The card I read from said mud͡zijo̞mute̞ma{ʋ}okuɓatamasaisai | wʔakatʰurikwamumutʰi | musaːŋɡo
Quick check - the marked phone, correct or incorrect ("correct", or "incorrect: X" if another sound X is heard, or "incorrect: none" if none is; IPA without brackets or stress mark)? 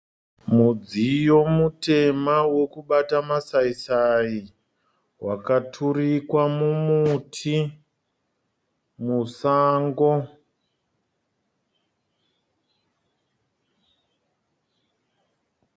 incorrect: w